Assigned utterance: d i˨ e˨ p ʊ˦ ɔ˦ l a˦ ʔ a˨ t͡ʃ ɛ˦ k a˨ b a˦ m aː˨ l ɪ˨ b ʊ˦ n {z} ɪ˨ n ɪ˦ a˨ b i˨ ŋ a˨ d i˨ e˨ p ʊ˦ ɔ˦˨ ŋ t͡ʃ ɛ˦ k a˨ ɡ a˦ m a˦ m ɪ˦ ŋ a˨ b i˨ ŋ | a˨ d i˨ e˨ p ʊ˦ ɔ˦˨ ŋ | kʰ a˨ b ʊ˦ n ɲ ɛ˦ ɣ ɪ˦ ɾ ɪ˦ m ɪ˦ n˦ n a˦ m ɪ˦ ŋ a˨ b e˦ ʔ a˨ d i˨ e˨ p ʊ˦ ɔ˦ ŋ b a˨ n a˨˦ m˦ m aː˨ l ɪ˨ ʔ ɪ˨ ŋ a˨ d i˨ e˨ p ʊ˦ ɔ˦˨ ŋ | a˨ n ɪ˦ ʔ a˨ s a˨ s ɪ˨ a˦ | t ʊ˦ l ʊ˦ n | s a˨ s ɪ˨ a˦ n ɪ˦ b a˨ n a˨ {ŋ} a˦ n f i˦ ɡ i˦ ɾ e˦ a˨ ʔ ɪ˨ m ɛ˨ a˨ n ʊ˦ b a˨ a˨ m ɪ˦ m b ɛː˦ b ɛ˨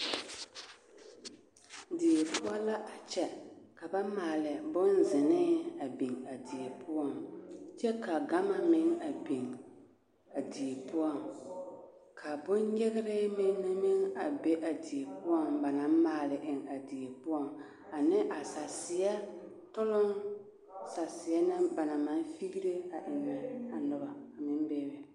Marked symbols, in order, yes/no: yes, no

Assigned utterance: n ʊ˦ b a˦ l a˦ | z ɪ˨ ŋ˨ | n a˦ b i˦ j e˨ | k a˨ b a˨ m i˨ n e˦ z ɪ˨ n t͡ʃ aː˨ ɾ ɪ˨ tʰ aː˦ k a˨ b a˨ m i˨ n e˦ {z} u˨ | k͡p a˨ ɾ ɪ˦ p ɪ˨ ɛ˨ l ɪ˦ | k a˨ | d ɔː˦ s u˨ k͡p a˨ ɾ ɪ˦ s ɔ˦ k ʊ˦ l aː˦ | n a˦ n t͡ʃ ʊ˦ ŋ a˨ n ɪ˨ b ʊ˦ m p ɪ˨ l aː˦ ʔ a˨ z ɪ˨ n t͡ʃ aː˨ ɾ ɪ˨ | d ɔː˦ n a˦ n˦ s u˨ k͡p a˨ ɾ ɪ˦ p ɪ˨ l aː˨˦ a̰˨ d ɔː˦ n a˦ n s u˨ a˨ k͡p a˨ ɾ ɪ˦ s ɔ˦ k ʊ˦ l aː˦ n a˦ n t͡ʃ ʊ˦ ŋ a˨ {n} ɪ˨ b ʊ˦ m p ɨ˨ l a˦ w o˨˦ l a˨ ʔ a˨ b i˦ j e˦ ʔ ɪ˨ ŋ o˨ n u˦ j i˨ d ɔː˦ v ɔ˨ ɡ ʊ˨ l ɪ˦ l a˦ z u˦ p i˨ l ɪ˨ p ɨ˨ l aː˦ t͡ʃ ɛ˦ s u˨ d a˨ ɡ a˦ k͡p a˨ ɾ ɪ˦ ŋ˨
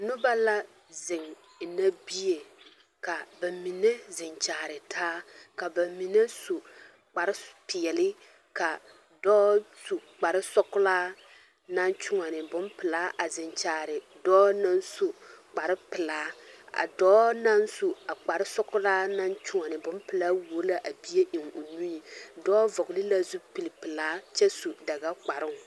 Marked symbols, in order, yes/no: no, yes

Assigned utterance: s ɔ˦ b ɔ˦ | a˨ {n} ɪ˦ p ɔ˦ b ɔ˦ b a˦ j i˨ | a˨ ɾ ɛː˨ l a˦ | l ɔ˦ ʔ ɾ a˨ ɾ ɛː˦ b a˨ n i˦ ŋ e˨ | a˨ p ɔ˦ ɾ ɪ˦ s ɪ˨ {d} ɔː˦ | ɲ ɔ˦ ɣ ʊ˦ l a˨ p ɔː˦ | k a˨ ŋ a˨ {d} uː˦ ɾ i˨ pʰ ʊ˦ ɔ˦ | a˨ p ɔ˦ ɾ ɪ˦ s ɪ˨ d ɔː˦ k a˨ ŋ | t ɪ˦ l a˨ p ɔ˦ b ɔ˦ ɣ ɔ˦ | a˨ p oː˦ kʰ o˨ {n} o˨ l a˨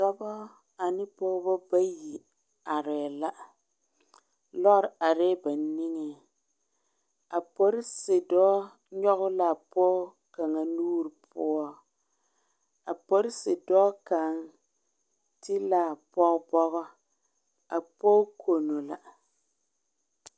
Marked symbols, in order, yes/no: yes, yes, no, yes

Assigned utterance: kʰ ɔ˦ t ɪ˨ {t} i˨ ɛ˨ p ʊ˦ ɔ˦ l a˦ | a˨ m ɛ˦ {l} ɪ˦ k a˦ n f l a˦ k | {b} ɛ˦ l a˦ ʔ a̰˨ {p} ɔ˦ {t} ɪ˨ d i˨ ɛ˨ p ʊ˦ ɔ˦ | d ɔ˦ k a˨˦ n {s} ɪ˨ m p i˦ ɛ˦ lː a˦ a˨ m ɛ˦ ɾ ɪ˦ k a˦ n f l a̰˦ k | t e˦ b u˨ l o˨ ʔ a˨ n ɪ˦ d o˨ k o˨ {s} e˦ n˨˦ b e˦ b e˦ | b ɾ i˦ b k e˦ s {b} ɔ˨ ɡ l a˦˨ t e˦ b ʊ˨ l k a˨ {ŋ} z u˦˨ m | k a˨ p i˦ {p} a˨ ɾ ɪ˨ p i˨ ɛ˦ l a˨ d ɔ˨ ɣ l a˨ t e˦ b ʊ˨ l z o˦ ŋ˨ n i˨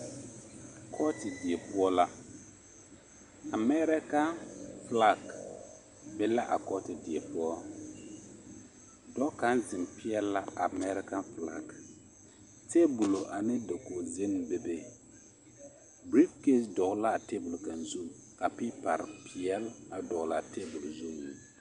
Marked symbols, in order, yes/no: no, no, yes, no, yes, no, no, no, no, yes

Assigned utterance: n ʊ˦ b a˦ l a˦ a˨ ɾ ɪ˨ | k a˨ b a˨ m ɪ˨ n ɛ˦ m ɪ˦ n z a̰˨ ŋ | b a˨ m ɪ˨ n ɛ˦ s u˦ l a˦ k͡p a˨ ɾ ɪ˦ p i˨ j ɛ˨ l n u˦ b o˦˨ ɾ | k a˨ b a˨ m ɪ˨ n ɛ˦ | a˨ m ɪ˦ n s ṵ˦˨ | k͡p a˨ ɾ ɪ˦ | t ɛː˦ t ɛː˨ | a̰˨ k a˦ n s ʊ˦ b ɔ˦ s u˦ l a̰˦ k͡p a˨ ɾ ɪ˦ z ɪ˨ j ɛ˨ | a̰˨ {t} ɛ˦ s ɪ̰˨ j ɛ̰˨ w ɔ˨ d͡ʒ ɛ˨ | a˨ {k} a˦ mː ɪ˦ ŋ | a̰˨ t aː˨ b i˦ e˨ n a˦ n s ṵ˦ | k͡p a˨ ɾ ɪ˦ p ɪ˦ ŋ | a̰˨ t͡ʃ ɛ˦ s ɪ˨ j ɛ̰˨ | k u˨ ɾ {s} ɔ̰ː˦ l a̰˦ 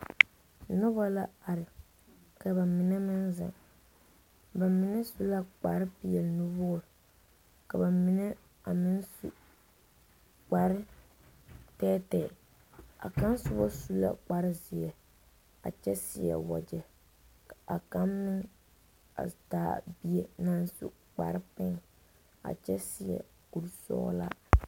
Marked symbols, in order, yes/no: no, yes, yes

